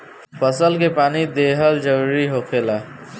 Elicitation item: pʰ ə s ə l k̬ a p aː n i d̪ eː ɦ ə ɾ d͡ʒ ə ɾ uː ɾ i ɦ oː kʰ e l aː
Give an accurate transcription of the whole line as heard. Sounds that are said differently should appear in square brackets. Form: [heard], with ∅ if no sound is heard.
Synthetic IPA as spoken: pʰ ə s ə l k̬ [e] p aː n i d̪ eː ɦ ə [l] d͡ʒ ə ɾ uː ɾ i ɦ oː kʰ e l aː